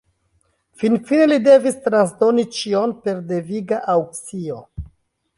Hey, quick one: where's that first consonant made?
lips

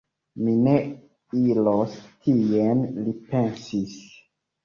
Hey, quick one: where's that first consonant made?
lips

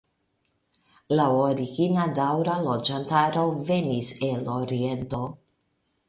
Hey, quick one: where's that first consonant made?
tongue tip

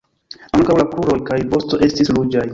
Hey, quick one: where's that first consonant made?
velum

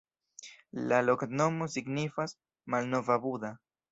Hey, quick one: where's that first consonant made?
tongue tip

